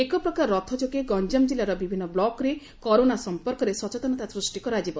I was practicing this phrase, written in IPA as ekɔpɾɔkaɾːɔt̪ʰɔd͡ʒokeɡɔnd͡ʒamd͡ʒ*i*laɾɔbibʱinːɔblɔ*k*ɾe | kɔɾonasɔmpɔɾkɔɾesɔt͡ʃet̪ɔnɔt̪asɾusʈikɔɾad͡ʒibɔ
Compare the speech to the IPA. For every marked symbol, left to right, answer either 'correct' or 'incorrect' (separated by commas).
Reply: correct, correct